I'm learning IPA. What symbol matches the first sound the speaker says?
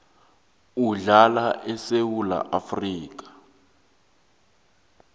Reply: u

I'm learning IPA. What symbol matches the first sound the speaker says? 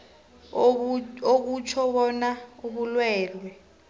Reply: o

